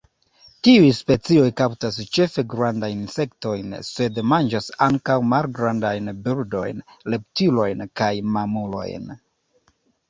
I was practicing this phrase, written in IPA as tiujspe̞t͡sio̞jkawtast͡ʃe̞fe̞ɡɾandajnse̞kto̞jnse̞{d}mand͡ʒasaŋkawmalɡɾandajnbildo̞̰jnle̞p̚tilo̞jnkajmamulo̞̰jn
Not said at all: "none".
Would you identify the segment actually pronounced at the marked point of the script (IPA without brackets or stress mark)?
d